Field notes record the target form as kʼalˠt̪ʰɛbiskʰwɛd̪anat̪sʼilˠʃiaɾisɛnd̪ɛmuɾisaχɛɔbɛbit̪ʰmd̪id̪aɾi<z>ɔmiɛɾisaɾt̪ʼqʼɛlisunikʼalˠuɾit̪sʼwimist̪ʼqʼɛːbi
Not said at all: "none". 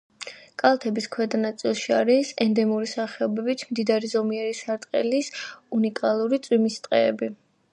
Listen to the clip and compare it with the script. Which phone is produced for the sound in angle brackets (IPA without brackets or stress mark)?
z